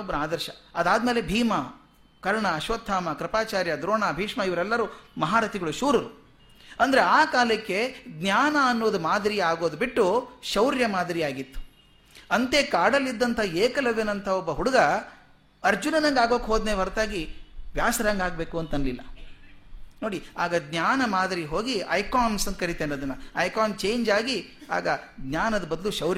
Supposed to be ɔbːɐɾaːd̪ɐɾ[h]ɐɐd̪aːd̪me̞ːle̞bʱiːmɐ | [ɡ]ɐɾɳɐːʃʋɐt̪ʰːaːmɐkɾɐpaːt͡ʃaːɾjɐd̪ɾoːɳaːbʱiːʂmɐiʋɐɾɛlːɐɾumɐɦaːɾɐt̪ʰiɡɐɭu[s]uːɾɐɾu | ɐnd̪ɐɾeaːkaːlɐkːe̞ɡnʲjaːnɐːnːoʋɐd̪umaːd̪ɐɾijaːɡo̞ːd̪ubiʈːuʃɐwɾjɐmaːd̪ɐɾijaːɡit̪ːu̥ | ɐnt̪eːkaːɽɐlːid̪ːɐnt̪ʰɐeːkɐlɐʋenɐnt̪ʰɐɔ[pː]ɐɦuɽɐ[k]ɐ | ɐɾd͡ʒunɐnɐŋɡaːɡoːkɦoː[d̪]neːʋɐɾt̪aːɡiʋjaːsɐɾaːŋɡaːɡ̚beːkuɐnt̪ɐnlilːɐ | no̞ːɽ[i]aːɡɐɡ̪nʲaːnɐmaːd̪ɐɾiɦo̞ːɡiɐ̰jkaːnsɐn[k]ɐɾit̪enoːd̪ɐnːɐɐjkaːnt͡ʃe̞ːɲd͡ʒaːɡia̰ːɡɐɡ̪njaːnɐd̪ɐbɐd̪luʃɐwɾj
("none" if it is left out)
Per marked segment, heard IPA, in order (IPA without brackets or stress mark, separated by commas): ʃ, k, ʃ, bː, ɡ, d̪, i, k